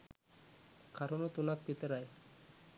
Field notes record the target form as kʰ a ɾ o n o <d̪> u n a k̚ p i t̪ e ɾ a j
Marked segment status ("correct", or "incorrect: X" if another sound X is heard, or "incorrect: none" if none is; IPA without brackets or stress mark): incorrect: t̪